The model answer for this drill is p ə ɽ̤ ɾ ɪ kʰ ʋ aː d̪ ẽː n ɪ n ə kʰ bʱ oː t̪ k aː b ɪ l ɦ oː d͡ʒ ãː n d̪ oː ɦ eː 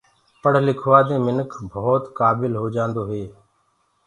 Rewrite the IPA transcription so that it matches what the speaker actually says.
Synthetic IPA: p ə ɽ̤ l ɪ kʰ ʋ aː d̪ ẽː m ɪ n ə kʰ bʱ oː t̪ k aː b ɪ l ɦ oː d͡ʒ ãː n d̪ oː ɦ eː

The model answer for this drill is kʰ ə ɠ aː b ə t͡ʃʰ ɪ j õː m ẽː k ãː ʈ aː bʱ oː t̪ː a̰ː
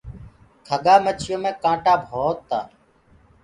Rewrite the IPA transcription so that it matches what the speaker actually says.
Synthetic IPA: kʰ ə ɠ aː m ə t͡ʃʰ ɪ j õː m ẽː k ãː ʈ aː bʱ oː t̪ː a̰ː

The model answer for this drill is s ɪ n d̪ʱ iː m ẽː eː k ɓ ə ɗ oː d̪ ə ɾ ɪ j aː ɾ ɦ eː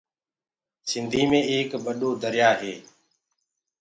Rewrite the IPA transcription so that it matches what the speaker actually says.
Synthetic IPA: s ɪ n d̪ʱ iː m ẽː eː k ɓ ə ɗ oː d̪ ə ɾ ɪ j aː ɦ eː

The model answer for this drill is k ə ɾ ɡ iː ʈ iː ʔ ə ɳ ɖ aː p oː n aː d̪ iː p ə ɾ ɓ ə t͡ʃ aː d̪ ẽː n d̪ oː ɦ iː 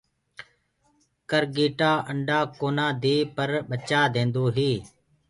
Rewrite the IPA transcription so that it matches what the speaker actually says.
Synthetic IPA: k ə ɾ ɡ iː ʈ aː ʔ ə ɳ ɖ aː k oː n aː d̪ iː p ə ɾ ɓ ə t͡ʃ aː d̪ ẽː n d̪ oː ɦ iː

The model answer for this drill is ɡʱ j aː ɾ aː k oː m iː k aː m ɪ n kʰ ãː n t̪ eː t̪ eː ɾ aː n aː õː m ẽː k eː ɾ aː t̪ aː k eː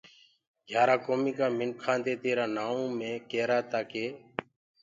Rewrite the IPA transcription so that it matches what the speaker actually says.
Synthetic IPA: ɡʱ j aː ɾ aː k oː m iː k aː m ɪ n kʰ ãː n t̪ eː t̪ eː ɾ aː n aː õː m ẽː k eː ɾ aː t̪ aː k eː

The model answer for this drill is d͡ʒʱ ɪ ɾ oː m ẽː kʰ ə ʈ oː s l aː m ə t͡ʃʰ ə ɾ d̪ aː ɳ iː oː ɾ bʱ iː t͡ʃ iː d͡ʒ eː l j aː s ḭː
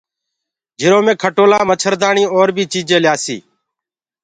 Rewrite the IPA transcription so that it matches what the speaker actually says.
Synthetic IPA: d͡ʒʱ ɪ ɾ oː m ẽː kʰ ə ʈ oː l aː m ə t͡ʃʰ ə ɾ d̪ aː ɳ iː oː ɾ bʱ iː t͡ʃ iː d͡ʒ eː l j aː s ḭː

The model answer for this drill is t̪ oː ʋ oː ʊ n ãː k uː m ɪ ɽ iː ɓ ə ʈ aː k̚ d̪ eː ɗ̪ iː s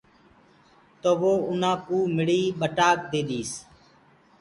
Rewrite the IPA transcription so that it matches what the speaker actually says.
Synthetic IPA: t̪ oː ʋ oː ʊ n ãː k uː m ɪ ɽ iː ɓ ə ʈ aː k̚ d̪ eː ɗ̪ iː s

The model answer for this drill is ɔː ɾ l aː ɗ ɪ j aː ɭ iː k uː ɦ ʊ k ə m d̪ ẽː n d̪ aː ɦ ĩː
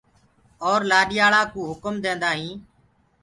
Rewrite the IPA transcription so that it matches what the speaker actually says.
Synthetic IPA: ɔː ɾ l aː ɗ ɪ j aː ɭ aː k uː ɦ ʊ k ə m d̪ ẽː n d̪ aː ɦ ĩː

